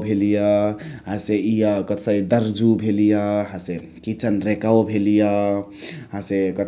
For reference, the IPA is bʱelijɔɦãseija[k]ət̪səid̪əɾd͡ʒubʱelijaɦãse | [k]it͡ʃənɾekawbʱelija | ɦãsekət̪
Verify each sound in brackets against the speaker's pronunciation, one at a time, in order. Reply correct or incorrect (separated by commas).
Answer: correct, correct